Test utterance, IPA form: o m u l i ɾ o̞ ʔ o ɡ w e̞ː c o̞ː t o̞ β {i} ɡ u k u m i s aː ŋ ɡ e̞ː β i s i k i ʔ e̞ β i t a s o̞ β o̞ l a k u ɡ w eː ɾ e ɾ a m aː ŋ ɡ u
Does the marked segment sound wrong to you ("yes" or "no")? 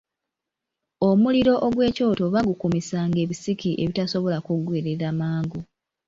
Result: yes